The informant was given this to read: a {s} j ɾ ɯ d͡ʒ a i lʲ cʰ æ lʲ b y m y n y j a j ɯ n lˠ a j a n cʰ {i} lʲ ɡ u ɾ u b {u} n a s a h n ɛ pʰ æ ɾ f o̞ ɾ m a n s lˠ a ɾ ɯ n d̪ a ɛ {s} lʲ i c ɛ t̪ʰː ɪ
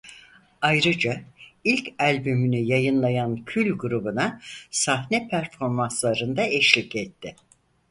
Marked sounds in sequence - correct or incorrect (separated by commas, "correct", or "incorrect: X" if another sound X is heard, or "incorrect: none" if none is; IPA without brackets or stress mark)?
incorrect: none, incorrect: y, correct, incorrect: ʃ